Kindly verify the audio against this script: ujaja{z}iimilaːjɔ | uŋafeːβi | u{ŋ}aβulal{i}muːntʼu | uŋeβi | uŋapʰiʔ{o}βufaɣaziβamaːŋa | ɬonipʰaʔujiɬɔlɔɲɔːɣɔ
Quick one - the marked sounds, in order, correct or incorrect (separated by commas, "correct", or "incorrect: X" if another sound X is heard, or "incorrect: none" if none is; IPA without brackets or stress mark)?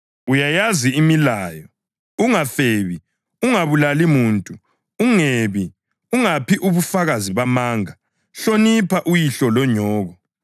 correct, correct, correct, incorrect: u